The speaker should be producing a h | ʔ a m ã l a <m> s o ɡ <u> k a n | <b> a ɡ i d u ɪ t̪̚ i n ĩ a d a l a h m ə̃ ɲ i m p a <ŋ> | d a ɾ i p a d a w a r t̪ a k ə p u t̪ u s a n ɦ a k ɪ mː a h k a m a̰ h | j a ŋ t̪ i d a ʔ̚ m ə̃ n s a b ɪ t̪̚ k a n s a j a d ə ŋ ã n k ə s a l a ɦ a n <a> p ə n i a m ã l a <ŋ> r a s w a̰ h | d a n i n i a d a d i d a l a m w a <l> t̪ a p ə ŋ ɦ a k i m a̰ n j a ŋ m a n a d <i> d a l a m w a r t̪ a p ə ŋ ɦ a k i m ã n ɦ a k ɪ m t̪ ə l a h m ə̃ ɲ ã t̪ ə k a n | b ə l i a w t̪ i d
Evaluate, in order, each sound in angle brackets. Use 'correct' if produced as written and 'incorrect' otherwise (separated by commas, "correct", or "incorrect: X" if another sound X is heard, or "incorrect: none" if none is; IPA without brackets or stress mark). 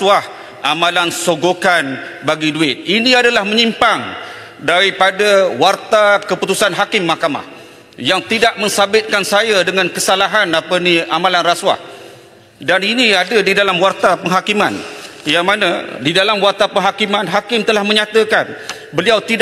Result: incorrect: n, incorrect: o, correct, correct, correct, incorrect: n, incorrect: r, correct